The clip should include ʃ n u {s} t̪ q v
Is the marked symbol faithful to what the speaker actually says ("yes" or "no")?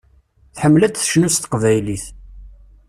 yes